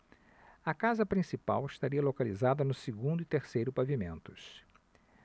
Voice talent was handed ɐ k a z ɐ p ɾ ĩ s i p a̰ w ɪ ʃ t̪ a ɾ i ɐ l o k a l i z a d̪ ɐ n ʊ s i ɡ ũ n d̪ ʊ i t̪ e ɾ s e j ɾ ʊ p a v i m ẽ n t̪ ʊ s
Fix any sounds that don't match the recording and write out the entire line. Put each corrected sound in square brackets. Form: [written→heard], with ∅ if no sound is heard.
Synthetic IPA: ɐ k a z ɐ p ɾ ĩ s i p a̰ w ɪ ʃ t̪ a ɾ i ɐ l o k a l i z a d̪ ɐ n ʊ s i ɡ ũ n d̪ ʊ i t̪ e ɾ s e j ɾ ʊ p a v i m ẽ n t̪ ʊ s

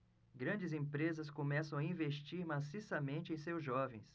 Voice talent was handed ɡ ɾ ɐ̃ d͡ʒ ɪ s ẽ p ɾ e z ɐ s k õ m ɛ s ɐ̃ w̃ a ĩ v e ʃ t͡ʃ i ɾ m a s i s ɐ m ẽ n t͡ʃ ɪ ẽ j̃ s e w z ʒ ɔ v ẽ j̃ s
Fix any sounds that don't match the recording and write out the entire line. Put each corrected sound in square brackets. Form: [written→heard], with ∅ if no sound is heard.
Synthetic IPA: ɡ ɾ ɐ̃ d͡ʒ ɪ [s→z] ẽ p ɾ e z ɐ s k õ m ɛ s ɐ̃ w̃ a ĩ v e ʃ t͡ʃ i ɾ m a s i s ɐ m ẽ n t͡ʃ ɪ ẽ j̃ s e w z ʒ ɔ v ẽ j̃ s

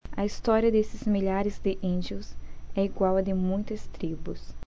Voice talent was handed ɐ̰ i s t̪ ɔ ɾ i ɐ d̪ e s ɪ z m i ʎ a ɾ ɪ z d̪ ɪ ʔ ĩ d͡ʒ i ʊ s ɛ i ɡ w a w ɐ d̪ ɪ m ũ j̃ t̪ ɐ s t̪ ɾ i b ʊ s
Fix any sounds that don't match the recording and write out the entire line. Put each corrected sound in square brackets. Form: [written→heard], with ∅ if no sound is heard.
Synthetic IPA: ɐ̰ i s t̪ ɔ ɾ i ɐ d̪ e s ɪ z m i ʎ a ɾ ɪ z d̪ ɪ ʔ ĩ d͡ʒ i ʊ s ɛ i ɡ w a w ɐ d̪ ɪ m ũ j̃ t̪ ɐ s t̪ ɾ i b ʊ s

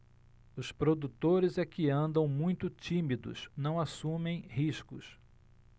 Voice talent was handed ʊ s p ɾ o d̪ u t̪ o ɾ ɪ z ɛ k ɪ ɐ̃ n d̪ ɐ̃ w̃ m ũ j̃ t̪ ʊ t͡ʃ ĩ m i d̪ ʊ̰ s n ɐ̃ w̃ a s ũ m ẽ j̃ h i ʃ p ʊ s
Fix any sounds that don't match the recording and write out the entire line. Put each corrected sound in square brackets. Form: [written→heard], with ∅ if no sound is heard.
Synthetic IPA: ʊ s p ɾ o d̪ u t̪ o ɾ ɪ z ɛ k ɪ ɐ̃ n d̪ ɐ̃ w̃ m ũ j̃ t̪ ʊ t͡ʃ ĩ m i d̪ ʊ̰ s n ɐ̃ w̃ a s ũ m ẽ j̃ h i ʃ [p→k] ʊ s

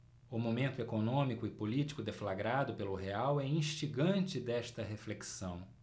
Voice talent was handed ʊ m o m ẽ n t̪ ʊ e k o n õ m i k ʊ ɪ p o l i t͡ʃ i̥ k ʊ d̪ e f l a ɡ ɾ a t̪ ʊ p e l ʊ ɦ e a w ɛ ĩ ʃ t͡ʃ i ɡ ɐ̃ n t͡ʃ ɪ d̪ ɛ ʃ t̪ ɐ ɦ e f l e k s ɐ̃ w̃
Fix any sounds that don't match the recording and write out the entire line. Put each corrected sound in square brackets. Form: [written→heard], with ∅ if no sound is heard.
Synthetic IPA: ʊ m o m ẽ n t̪ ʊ e k o n õ m i k ʊ ɪ p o l i t͡ʃ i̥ k ʊ d̪ e f l a ɡ ɾ a [t̪→d̪] ʊ p e l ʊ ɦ e a w ɛ ĩ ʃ t͡ʃ i ɡ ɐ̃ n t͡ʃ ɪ d̪ ɛ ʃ t̪ ɐ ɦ e f l e k s ɐ̃ w̃

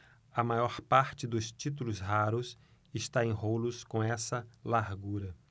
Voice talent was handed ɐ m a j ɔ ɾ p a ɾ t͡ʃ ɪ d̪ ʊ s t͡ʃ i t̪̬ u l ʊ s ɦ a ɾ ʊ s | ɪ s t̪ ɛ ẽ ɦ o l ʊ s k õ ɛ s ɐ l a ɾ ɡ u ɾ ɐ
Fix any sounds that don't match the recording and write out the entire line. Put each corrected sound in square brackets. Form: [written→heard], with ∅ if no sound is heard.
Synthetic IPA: ɐ m a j ɔ ɾ p a ɾ t͡ʃ ɪ d̪ ʊ s t͡ʃ i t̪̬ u l ʊ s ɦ a ɾ ʊ s | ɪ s t̪ [ɛ→a] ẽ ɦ o l ʊ s k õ ɛ s ɐ l a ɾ ɡ u ɾ ɐ

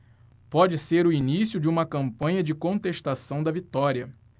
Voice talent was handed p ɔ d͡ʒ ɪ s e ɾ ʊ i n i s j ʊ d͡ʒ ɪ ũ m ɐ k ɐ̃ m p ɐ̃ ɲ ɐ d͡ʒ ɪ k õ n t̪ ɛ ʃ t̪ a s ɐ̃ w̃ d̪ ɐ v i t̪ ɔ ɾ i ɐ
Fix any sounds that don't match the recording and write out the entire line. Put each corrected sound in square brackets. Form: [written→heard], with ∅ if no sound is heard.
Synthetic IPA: p ɔ d͡ʒ ɪ s e ɾ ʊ i n i s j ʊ d͡ʒ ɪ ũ m ɐ k ɐ̃ m p ɐ̃ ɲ ɐ d͡ʒ ɪ k õ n t̪ [ɛ→e] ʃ t̪ a s ɐ̃ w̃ d̪ ɐ v i t̪ ɔ ɾ i ɐ

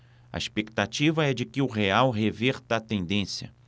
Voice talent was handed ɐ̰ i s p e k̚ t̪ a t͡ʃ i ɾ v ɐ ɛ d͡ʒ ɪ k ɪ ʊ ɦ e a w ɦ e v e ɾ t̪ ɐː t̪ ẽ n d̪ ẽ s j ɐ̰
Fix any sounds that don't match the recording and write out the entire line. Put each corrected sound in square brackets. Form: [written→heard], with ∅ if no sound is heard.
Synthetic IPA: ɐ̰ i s p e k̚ t̪ a t͡ʃ i [ɾ→∅] v ɐ ɛ d͡ʒ ɪ k ɪ ʊ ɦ e a w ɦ e v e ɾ t̪ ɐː t̪ ẽ n d̪ ẽ s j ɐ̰

